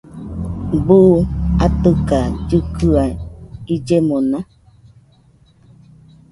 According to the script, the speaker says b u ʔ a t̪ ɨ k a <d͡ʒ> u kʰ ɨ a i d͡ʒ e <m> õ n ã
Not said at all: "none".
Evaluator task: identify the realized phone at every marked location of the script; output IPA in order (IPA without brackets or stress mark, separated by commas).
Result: d͡ʒ, m